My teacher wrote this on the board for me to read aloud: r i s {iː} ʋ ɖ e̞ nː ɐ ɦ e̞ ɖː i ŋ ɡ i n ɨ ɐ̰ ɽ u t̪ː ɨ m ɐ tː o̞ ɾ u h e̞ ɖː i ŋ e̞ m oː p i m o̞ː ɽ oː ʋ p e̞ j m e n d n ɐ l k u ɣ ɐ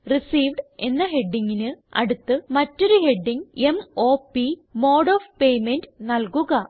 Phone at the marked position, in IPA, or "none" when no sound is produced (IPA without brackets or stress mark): iː